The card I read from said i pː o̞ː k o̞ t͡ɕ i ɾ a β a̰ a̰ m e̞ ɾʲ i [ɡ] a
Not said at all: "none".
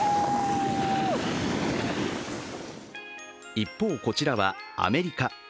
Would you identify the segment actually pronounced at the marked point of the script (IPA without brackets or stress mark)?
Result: k